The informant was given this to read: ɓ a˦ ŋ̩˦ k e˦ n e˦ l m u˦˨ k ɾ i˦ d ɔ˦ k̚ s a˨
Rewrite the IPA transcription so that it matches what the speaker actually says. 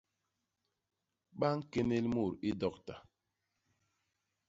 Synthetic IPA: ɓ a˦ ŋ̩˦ k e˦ n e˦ l m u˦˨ ɾ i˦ d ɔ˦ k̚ t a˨